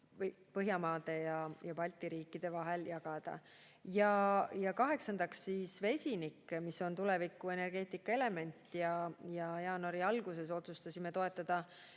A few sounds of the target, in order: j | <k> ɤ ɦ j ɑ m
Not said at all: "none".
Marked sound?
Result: p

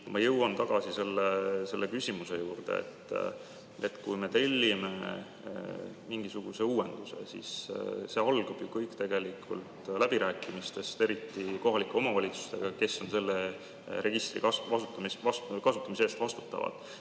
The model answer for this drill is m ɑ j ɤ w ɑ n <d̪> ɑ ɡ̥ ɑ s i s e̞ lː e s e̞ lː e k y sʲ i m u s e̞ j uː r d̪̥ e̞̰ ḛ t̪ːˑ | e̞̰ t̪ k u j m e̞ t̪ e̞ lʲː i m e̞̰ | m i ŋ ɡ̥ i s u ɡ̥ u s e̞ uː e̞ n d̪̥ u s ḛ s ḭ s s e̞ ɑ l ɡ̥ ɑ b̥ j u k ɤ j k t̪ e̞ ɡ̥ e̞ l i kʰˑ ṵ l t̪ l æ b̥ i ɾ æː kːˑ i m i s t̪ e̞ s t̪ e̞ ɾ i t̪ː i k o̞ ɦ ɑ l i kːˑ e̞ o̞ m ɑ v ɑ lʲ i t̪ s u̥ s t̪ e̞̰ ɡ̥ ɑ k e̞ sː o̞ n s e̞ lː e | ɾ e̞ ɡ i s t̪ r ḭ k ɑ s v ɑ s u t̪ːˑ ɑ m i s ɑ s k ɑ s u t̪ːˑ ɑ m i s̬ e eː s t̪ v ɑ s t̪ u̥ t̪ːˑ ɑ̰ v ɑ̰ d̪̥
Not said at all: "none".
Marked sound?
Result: t̪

